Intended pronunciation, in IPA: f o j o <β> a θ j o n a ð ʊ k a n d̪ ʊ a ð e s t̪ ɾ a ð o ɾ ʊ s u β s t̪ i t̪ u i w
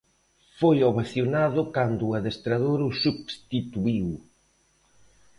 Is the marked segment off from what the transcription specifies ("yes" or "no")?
no